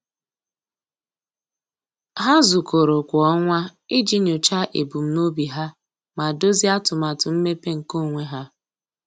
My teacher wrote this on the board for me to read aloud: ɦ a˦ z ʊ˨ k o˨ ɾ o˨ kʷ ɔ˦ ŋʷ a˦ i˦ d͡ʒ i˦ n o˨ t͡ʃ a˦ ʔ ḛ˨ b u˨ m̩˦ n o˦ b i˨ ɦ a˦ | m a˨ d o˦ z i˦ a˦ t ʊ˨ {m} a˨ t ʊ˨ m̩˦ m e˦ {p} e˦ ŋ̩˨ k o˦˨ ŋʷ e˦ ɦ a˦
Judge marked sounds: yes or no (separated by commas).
yes, yes